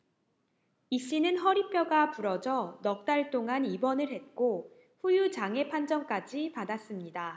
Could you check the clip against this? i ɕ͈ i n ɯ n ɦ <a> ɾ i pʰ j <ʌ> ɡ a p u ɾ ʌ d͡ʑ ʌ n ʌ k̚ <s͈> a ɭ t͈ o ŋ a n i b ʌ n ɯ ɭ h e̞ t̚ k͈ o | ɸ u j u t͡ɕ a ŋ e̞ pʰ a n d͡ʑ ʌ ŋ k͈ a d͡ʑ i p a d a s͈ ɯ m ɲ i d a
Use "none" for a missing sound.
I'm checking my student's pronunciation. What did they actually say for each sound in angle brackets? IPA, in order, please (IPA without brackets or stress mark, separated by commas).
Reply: ʌ, ʌ, t͈